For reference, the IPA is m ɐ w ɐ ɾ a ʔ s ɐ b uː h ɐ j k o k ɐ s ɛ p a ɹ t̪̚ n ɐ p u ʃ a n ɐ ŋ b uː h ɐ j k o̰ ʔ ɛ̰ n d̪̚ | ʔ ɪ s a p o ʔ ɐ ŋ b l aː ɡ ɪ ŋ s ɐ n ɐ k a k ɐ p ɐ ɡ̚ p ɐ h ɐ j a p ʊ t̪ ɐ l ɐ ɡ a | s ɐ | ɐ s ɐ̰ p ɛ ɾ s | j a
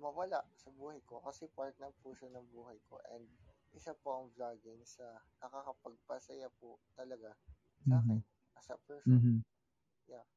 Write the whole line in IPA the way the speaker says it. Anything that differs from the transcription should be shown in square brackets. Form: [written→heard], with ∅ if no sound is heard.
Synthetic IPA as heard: m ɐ w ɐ [ɾ→l] a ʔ s ɐ b uː h ɐ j k o k ɐ s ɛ p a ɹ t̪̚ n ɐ p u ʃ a n ɐ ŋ b uː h ɐ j k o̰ ʔ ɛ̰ n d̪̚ | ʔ ɪ s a p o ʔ ɐ ŋ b l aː ɡ ɪ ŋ s ɐ n ɐ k a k ɐ p ɐ ɡ̚ p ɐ [h→s] ɐ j a p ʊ t̪ ɐ l ɐ ɡ a | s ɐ | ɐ s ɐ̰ p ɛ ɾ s | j a